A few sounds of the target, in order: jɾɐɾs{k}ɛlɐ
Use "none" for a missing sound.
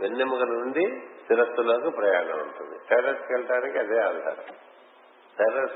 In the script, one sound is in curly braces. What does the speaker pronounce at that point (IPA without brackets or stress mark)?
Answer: k